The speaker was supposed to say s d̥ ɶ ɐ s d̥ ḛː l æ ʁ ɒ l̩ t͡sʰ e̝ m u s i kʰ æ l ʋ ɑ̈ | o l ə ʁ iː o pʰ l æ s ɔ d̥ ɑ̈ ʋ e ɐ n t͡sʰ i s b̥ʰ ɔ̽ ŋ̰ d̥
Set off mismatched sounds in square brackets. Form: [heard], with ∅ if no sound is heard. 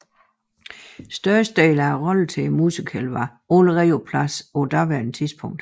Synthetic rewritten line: s d̥ ɶ ɐ s d̥ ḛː l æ ʁ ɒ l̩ t͡sʰ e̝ m u s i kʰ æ l ʋ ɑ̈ | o l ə ʁ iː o pʰ l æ s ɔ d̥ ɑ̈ ʋ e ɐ n t͡sʰ i s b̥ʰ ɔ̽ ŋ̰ d̥